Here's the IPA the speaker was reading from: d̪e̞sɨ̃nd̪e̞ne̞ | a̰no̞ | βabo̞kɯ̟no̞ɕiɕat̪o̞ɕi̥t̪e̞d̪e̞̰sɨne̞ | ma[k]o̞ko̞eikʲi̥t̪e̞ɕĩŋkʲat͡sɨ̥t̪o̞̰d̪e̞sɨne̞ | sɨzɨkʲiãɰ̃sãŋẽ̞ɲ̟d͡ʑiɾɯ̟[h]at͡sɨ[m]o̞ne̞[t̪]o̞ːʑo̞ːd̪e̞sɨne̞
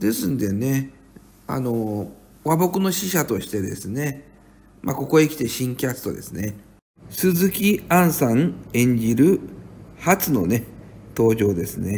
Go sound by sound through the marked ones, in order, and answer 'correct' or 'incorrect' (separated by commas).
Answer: correct, correct, incorrect, correct